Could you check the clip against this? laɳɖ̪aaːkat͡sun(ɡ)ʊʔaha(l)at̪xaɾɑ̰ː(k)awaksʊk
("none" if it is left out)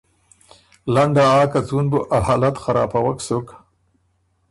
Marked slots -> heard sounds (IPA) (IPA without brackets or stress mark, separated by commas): b, l, p